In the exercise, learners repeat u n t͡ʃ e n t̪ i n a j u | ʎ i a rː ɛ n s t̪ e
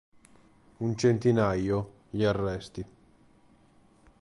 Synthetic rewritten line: u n t͡ʃ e n t̪ i n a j o | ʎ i a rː ɛ s t̪ i